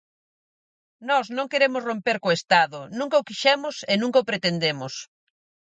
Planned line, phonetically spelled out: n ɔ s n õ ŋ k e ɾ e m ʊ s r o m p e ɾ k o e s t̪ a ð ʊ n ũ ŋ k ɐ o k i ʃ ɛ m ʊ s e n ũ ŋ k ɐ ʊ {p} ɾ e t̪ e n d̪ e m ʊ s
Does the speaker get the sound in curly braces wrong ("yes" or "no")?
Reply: no